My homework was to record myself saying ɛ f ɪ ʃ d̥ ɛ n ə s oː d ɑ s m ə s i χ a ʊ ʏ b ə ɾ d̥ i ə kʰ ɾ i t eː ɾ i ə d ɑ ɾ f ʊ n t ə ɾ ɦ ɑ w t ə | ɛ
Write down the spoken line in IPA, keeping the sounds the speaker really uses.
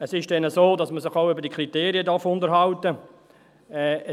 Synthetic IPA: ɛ s ɪ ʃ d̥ ɛ n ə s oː d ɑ s m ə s ɪ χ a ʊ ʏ b ə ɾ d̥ i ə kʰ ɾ i t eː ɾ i ə d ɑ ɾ f ʊ n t ə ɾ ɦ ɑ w t ə | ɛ